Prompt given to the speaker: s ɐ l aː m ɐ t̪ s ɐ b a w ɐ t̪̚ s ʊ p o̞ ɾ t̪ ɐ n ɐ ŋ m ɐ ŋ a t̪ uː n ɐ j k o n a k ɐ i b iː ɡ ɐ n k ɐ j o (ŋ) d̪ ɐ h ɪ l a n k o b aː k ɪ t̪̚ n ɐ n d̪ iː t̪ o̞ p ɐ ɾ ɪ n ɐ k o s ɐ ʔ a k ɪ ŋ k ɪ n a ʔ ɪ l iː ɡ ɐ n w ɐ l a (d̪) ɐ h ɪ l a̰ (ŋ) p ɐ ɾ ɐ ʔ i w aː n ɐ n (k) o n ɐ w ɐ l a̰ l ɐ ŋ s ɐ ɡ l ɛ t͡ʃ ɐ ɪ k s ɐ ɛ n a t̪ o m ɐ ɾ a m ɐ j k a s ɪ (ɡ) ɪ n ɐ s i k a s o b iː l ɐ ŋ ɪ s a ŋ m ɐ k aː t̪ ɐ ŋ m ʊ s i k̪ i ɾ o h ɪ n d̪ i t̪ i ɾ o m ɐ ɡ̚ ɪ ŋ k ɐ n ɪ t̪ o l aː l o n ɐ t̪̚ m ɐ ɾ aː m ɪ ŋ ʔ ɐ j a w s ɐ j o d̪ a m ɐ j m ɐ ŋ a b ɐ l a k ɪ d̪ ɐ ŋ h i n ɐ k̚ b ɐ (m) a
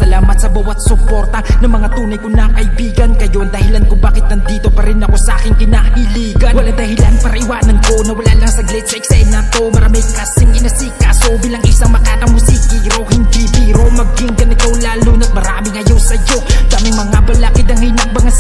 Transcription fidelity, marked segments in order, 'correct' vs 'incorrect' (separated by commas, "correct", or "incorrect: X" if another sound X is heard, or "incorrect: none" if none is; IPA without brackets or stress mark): incorrect: n, correct, incorrect: n, correct, incorrect: ŋ, incorrect: ŋ